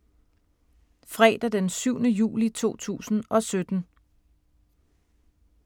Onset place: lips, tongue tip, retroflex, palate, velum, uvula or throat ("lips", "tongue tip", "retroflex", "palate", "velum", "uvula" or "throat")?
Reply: lips